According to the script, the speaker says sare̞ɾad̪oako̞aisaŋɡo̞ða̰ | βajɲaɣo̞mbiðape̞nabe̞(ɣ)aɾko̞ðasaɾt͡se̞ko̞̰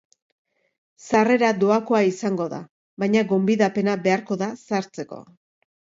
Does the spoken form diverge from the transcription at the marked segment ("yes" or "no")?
yes